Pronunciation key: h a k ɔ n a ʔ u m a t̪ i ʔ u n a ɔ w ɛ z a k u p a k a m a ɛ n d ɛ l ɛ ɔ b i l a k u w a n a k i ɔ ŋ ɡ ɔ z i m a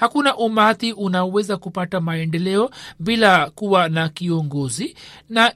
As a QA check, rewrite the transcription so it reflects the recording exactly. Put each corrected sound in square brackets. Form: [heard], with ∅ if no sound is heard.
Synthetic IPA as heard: h a k [u] n a ʔ u m a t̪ i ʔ u n a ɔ w ɛ z a k u p a [t] a m a ɛ n d ɛ l ɛ ɔ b i l a k u w a n a k i ɔ ŋ ɡ ɔ z i [n] a